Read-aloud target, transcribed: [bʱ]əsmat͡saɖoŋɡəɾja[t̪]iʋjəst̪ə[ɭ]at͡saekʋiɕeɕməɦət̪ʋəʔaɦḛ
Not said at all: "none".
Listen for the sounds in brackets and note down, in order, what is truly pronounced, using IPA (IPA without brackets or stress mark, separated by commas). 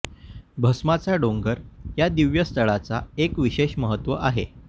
bʱ, d̪, ɭ